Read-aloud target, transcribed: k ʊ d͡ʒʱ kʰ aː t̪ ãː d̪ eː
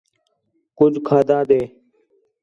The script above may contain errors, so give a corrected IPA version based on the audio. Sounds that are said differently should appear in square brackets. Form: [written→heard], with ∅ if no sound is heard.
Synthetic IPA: k ʊ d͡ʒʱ kʰ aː [t̪→d̪] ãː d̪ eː